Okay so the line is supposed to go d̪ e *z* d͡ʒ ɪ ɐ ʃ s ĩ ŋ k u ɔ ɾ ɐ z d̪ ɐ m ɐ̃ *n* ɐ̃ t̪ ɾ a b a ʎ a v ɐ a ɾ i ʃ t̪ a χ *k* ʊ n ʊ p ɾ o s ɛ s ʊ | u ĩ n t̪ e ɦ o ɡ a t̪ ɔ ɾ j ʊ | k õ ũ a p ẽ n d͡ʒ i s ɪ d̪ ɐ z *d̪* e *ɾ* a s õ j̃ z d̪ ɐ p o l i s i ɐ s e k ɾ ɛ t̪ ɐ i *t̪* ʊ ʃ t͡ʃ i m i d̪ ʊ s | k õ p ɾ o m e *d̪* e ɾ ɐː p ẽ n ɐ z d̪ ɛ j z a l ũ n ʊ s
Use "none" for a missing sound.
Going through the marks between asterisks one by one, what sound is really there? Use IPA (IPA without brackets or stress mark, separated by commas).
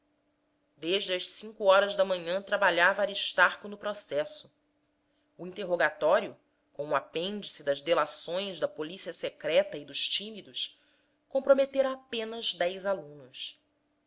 ʒ, ɲ, k, d̪, l, d̪, t̪